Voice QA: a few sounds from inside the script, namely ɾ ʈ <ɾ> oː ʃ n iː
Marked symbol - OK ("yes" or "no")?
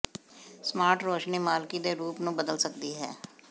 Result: yes